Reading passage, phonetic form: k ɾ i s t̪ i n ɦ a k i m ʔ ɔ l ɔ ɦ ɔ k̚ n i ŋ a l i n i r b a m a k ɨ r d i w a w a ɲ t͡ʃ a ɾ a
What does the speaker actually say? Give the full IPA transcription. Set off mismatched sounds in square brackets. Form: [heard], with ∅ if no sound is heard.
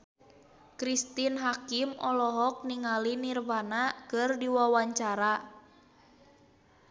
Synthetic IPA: k ɾ i s t̪ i n ɦ a k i m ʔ ɔ l ɔ ɦ ɔ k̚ n i ŋ a l i n i r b a [n] a k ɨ r d i w a w a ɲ t͡ʃ a ɾ a